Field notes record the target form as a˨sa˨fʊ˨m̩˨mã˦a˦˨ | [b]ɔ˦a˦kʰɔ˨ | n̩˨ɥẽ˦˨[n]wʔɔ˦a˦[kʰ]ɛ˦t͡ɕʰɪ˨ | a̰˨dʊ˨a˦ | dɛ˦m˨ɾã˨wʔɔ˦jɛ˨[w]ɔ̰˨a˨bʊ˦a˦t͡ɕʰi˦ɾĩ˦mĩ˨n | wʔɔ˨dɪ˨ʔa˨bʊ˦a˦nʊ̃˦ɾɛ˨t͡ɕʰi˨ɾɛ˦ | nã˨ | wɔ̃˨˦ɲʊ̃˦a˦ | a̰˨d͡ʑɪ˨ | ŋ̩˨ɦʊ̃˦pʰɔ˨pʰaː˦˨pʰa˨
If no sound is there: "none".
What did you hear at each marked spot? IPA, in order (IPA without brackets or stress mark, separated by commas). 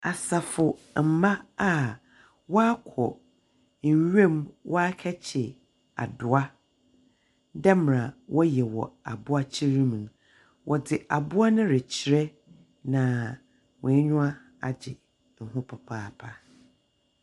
w, m, kʰ, w